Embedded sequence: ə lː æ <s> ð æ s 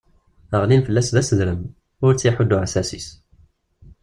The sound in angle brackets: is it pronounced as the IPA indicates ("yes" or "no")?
yes